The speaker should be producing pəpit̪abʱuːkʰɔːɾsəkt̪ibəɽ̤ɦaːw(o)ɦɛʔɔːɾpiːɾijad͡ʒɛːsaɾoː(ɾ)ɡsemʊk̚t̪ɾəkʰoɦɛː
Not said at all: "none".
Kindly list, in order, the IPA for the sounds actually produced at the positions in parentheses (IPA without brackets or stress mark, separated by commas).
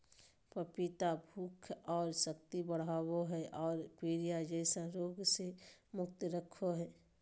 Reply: o, none